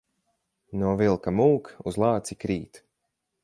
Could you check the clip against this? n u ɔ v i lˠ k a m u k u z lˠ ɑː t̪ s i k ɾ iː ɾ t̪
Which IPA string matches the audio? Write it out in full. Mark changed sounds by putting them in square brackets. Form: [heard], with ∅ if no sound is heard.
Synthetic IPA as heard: n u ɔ v i lˠ k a m [uː] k u z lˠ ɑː t̪ s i k ɾ iː [∅] t̪